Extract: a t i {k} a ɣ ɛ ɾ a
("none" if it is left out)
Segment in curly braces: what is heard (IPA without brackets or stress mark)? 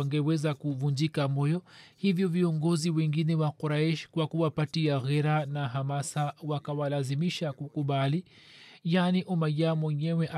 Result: none